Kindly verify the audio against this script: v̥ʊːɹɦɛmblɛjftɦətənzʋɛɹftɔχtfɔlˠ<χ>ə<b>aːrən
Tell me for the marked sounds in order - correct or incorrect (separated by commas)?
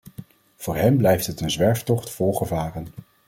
correct, incorrect